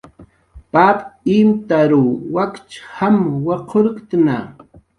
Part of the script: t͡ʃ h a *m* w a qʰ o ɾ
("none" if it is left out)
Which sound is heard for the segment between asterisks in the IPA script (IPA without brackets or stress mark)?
m